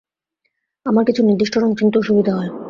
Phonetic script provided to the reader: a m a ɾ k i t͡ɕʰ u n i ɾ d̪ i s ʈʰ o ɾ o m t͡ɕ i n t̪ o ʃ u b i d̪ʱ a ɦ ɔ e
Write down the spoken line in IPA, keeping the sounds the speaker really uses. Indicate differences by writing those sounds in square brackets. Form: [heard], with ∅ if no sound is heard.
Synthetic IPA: a m a ɾ k i t͡ɕʰ u n i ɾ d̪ i [ʃ] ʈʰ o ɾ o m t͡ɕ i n t̪ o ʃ u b i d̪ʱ a ɦ ɔ e

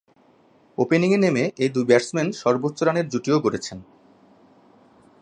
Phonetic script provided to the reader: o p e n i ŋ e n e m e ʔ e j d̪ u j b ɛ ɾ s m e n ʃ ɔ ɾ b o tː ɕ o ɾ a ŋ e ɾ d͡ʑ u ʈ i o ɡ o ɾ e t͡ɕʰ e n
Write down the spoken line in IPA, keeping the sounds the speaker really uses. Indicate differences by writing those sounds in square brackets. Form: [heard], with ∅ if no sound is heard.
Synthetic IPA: o p e n i ŋ e n e m e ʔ e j d̪ u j b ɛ ɾ s m e n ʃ ɔ ɾ b o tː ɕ o ɾ a [n] e ɾ d͡ʑ u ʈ i o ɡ o ɾ e t͡ɕʰ e n

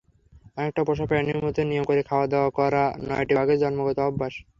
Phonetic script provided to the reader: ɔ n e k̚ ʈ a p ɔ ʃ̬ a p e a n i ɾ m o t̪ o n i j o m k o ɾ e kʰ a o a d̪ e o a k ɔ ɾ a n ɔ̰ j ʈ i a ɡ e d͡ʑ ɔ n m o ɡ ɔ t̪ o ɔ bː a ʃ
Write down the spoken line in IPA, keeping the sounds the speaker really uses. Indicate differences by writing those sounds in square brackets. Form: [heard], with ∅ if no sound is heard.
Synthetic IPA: ɔ n e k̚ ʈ a p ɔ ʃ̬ a p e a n i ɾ m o t̪ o n i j o m k o ɾ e kʰ a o a d̪ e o a k ɔ ɾ a n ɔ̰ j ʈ i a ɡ e d͡ʑ ɔ n m o ɡ ɔ t̪ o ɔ bː a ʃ

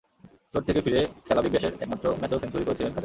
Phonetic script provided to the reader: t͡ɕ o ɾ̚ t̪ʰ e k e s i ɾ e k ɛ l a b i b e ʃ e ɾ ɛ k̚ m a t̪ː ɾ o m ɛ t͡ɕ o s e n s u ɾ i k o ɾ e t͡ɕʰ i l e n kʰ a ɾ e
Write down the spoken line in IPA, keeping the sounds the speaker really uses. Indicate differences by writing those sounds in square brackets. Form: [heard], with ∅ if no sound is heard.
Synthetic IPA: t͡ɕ o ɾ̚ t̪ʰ e k e [f] i ɾ e [kʰ] ɛ l a b i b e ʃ e ɾ ɛ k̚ m a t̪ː ɾ o m ɛ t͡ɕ o s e n s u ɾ i k o ɾ e t͡ɕʰ i l e n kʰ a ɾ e

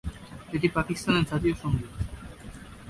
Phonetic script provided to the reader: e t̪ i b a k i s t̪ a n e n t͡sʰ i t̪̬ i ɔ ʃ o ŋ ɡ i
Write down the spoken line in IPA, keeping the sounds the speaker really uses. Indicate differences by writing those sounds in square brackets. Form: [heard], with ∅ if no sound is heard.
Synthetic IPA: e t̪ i [p] a k i s t̪ a n e n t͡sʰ [a] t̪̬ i [o] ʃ o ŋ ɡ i

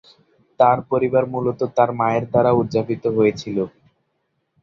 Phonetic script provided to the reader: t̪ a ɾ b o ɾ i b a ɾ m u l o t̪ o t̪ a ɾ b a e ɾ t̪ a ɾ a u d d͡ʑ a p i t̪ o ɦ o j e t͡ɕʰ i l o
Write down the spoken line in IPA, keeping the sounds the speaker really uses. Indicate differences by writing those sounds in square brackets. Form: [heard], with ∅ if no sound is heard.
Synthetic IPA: t̪ a ɾ [p] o ɾ i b a ɾ m u l o t̪ o t̪ a ɾ [m] a e ɾ [d̪] a ɾ a u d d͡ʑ a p i t̪ o ɦ o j e t͡ɕʰ i l o

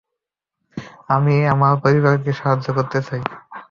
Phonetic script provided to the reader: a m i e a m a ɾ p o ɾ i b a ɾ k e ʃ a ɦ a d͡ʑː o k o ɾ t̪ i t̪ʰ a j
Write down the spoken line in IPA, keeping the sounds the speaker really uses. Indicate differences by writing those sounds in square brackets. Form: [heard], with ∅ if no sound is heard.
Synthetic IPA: a m i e a m a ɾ p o ɾ i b a ɾ k e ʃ a ɦ a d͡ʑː o k o ɾ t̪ [e] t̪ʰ a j

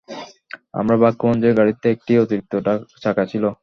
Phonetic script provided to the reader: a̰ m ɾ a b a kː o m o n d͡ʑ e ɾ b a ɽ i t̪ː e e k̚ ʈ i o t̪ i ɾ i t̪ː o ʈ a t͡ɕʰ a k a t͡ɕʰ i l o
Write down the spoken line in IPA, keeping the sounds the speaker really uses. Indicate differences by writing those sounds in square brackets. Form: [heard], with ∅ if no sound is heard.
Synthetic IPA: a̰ m ɾ a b a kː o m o n d͡ʑ e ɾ [ɡ] a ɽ i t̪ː e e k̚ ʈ i o t̪ i ɾ i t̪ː o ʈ a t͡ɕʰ a k a t͡ɕʰ i l o

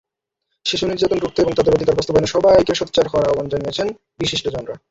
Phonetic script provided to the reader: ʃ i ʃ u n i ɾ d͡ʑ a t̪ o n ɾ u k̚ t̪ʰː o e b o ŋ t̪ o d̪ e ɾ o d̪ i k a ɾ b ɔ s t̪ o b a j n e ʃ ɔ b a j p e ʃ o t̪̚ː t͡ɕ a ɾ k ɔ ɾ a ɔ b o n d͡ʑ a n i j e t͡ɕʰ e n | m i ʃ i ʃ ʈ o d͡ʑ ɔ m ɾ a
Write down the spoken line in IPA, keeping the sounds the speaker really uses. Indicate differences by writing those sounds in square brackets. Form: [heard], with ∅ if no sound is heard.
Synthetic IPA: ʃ i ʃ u n i ɾ d͡ʑ a t̪ o n ɾ u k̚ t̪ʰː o e b o ŋ t̪ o d̪ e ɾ o d̪ i k a ɾ b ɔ s t̪ o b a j n e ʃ ɔ b a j [k] e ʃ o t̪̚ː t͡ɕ a ɾ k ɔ ɾ a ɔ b o n d͡ʑ a n i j e t͡ɕʰ e n | [b] i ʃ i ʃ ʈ o d͡ʑ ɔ [n] ɾ a

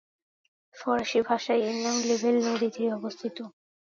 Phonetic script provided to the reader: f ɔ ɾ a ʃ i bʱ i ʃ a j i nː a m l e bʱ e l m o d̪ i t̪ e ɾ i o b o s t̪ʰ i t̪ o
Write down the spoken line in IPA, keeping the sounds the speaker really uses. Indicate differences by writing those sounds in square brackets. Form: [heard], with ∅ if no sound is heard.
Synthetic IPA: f ɔ ɾ a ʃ i bʱ [a] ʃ a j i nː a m l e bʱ e l [n] o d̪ i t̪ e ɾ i [ɔ] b o s t̪ʰ i t̪ o

